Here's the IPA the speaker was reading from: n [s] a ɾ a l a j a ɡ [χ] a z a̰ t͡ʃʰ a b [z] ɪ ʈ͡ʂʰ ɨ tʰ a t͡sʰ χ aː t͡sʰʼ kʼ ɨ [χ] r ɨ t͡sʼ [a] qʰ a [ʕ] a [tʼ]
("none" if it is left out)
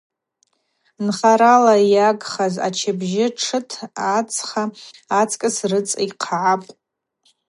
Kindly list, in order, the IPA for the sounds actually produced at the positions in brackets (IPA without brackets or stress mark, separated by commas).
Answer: χ, χ, ʒ, s, i, ʕ, pʼ